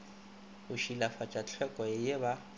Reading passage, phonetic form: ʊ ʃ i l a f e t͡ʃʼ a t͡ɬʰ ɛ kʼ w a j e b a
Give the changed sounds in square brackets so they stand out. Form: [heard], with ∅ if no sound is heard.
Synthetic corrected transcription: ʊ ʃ i l a f [a] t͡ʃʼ a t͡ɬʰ ɛ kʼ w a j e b a